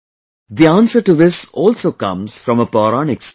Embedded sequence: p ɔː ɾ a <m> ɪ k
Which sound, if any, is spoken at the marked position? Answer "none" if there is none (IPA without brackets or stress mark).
n